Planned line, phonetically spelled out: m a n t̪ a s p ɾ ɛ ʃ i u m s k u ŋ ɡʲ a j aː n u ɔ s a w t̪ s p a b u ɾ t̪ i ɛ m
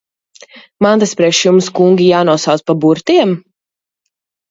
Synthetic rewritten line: m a n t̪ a s p ɾ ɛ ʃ j u m s k u ŋ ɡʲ i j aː n u ɔ s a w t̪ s p a b u ɾ t̪ i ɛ m